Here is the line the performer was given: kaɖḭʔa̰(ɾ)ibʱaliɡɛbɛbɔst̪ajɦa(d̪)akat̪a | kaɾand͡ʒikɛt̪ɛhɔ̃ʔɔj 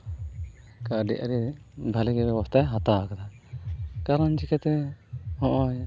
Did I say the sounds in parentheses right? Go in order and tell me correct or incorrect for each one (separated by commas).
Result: correct, incorrect